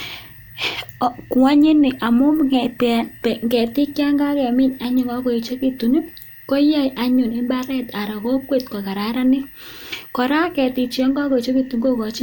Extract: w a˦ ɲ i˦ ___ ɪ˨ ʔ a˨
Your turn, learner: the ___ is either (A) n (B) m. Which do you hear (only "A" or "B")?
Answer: A